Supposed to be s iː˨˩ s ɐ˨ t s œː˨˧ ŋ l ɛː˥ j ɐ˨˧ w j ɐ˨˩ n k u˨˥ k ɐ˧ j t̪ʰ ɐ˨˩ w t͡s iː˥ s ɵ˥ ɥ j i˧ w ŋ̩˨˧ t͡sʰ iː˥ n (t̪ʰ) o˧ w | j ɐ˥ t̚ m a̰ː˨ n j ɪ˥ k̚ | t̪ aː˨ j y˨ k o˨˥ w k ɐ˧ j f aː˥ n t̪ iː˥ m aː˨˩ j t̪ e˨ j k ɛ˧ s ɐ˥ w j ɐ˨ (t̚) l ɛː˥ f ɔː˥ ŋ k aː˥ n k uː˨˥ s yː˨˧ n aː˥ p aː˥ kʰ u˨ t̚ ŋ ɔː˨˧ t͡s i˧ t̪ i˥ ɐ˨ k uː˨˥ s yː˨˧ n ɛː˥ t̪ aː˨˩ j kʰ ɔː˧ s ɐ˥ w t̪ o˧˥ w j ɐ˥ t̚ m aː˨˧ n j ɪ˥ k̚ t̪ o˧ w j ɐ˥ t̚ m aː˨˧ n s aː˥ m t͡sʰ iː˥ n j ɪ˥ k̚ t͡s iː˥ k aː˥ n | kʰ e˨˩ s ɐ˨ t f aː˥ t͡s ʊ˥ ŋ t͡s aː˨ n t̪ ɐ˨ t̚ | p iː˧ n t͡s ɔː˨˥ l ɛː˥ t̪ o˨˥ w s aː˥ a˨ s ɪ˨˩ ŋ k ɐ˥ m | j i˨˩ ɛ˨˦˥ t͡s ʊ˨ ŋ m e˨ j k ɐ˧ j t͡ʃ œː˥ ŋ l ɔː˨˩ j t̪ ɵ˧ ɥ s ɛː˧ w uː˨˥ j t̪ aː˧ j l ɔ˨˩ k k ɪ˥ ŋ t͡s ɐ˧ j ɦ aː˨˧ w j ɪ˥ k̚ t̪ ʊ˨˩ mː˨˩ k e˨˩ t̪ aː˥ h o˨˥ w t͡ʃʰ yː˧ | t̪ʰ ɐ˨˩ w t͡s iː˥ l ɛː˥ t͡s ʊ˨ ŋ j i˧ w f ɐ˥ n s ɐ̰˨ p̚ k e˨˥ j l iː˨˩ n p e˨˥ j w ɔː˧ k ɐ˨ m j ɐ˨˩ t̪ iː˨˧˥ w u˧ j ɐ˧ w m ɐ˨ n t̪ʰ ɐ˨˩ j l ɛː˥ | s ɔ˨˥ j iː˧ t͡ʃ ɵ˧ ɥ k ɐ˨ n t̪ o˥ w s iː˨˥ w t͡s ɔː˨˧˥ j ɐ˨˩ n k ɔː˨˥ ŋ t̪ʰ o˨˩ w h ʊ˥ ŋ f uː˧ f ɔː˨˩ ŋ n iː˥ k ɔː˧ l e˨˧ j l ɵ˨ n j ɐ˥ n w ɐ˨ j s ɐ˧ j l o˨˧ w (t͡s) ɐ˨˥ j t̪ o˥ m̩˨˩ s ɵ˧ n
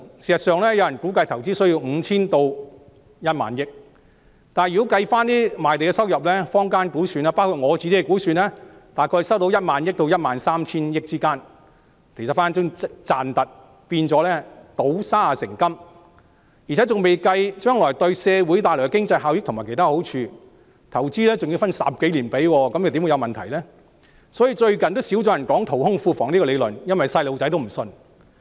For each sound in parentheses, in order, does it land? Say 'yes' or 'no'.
no, no, yes

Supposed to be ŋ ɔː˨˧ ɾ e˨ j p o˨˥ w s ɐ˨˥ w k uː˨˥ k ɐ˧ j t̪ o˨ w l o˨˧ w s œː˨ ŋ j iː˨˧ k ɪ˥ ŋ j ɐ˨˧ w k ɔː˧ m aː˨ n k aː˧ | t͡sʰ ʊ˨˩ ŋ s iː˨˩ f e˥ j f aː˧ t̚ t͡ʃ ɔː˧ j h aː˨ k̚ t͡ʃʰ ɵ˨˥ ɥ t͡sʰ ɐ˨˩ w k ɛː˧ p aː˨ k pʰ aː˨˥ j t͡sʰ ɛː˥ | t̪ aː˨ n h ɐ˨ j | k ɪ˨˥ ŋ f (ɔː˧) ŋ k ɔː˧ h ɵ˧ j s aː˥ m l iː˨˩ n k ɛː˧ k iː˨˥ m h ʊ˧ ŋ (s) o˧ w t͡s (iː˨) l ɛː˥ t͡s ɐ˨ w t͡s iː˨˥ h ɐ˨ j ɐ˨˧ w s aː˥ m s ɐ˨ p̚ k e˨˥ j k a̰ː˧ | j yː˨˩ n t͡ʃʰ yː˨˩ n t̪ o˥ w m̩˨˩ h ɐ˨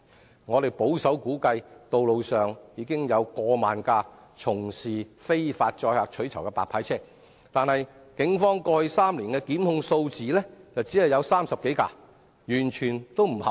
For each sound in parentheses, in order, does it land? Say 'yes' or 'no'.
no, yes, yes

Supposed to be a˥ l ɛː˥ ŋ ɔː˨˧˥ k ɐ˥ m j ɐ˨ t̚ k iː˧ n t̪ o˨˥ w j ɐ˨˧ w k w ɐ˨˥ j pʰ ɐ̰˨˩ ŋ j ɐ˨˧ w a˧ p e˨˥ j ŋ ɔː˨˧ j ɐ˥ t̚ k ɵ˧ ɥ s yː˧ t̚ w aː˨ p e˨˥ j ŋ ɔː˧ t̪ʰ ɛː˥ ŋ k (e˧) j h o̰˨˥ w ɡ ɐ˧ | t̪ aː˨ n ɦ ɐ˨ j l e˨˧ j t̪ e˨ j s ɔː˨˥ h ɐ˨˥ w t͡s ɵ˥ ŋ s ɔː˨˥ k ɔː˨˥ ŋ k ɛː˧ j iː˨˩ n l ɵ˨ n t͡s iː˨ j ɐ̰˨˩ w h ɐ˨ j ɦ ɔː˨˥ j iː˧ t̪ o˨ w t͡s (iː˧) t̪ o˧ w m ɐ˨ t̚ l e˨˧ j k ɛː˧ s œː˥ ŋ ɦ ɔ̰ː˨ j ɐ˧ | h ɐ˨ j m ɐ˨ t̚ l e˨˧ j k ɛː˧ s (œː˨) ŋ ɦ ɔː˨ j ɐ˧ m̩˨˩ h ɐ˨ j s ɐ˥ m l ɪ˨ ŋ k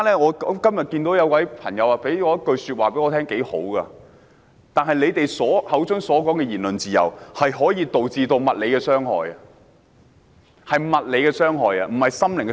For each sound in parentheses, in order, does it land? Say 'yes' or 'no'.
no, yes, no

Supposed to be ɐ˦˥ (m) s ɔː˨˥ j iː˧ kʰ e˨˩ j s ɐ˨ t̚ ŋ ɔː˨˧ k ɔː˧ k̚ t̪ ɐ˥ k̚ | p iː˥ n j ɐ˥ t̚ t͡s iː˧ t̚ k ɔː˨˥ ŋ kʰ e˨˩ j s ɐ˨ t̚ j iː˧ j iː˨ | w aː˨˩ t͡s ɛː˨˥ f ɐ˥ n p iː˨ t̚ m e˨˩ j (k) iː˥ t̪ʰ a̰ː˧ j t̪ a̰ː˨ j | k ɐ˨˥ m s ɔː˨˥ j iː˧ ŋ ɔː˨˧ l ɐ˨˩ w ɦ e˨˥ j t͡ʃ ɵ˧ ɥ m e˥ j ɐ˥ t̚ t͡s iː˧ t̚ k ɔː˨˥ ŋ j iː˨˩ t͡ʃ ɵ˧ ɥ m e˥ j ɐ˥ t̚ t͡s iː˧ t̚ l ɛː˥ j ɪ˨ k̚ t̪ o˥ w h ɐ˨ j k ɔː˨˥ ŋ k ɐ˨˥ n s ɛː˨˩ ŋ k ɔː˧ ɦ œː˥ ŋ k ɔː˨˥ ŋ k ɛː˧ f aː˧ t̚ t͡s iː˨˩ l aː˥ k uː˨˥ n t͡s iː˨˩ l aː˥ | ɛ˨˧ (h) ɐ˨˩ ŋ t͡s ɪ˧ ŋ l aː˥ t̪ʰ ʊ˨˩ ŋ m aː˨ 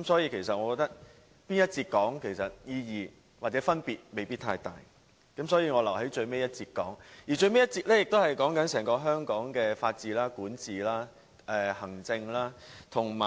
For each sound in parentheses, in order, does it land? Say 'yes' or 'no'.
yes, no, yes

